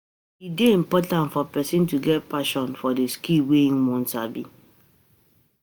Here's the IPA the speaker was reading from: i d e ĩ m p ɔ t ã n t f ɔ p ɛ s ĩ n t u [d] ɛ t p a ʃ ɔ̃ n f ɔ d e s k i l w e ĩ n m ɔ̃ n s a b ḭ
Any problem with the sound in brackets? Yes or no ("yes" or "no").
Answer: yes